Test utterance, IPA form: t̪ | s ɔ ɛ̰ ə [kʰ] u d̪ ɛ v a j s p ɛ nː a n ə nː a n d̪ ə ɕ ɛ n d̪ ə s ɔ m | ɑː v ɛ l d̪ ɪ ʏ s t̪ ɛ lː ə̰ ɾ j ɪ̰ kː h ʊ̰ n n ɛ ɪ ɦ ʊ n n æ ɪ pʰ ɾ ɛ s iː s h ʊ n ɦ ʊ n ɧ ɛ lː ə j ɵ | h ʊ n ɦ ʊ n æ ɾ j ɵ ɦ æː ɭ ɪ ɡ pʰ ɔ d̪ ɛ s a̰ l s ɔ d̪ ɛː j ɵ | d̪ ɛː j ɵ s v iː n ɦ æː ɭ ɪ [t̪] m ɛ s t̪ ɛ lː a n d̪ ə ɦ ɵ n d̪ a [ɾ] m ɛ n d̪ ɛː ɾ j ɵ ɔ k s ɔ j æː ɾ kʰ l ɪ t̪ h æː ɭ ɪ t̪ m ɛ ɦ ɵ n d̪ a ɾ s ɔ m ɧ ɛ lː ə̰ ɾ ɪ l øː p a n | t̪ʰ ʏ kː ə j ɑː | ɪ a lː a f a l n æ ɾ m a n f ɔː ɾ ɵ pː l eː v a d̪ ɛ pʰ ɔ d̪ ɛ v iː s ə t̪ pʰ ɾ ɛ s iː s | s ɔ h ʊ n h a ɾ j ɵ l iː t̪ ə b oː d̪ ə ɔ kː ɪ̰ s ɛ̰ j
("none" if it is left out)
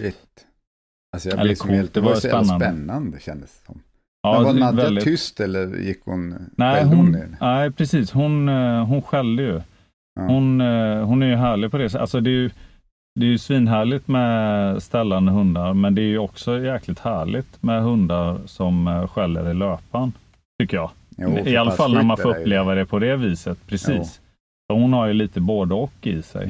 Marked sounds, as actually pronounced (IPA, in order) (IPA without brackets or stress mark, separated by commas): kʰ, t̪, ɾ